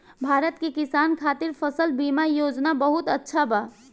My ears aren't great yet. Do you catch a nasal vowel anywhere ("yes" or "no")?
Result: no